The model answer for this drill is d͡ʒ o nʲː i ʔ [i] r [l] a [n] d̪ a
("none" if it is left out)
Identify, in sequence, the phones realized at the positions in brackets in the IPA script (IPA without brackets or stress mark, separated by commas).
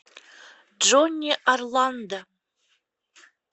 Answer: a, l, n